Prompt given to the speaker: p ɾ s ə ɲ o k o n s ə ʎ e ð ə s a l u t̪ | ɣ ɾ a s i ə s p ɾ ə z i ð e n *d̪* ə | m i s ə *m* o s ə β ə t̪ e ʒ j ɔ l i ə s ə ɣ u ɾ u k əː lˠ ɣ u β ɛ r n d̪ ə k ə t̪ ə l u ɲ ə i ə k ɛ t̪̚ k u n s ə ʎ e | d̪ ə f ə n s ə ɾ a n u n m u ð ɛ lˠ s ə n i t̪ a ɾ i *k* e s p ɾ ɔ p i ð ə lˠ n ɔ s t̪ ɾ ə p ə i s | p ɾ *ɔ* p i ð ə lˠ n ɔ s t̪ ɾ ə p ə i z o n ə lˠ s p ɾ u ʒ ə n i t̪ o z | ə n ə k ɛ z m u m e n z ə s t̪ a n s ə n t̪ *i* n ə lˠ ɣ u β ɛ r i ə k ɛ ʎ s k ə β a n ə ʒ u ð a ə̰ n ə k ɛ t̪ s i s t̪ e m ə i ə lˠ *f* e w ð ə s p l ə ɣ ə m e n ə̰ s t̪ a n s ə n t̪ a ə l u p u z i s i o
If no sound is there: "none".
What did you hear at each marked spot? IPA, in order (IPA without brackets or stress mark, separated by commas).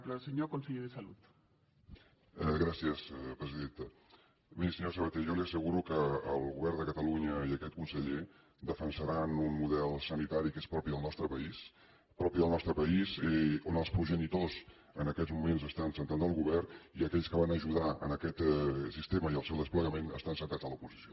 t̪, ɲ, k, ɔ, a, s